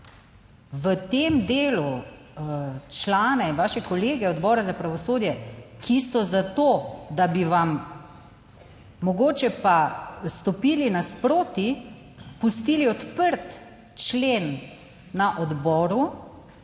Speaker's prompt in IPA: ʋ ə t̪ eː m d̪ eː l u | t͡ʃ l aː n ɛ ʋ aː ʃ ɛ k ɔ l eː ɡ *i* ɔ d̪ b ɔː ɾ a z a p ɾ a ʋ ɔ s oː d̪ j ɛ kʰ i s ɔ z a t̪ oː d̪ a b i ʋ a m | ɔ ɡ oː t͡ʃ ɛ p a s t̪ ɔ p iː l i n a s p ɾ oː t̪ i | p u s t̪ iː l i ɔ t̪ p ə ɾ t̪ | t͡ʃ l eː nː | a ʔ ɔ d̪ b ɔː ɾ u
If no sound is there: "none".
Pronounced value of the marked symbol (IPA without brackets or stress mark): ɛ